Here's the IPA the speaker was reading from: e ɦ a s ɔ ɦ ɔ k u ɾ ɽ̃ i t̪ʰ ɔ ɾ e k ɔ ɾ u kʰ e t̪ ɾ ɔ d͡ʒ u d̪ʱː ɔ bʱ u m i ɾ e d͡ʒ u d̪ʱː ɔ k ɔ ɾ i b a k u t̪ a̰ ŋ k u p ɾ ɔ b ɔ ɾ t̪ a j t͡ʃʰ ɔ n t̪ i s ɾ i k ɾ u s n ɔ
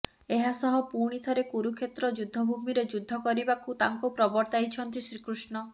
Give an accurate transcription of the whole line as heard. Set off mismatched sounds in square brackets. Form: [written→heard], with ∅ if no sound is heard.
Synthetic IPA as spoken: e ɦ a s ɔ ɦ ɔ [k→p] u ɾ ɽ̃ i t̪ʰ ɔ ɾ e k [ɔ→u] ɾ u kʰ e t̪ ɾ ɔ d͡ʒ u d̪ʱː ɔ bʱ u m i ɾ e d͡ʒ u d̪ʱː ɔ k ɔ ɾ i b a k u t̪ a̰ ŋ k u p ɾ ɔ b ɔ ɾ t̪ a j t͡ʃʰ ɔ n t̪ i s ɾ i k ɾ u s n ɔ